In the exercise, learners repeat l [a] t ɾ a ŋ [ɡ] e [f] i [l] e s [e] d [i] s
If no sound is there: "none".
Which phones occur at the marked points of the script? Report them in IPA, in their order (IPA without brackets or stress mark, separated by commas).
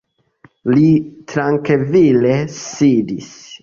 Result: i, k, v, l, i, i